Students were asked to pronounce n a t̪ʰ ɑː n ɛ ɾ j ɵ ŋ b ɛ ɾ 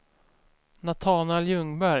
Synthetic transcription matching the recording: n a t̪ʰ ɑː n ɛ l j ɵ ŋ b æ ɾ